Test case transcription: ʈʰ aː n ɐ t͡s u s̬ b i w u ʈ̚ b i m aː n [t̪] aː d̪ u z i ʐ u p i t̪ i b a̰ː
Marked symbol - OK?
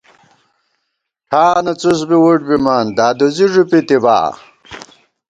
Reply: no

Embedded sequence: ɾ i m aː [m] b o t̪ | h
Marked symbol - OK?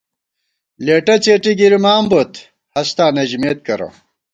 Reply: yes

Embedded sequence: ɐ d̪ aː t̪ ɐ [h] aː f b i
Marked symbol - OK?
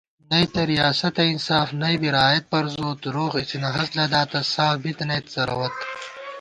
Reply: no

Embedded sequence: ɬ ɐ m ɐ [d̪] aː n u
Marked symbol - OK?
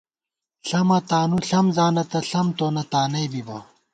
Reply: no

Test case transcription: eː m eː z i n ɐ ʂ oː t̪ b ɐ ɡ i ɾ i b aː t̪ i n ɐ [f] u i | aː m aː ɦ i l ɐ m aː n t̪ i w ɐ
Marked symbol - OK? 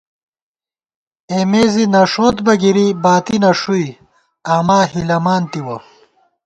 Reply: no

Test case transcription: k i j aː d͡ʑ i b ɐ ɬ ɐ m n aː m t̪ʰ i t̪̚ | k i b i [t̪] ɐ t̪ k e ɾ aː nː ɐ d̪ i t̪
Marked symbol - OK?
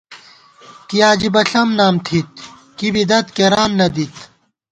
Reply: no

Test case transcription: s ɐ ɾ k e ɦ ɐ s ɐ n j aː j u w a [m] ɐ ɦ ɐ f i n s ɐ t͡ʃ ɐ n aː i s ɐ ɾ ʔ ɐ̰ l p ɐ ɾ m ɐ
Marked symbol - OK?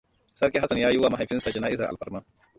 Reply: yes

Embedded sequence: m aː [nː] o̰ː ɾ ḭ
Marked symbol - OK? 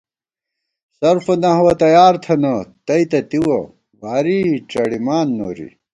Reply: yes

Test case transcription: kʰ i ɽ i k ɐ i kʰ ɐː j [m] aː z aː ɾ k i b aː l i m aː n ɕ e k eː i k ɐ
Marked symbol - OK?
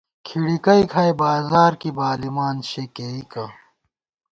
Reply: no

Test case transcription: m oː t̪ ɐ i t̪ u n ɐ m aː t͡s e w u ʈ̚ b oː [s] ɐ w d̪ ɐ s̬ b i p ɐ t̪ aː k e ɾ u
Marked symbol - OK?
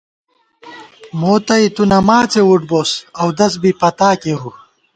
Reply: yes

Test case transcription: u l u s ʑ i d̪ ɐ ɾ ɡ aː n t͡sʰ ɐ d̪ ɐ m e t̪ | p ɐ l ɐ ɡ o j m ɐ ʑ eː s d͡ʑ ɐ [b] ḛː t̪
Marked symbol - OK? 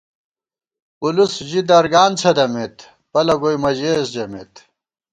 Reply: no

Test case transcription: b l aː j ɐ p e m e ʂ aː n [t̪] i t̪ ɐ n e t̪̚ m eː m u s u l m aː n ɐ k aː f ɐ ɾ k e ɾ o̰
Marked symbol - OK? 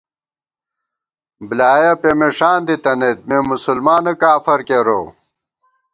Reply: no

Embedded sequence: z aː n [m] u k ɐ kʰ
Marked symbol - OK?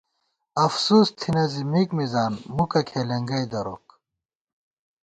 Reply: yes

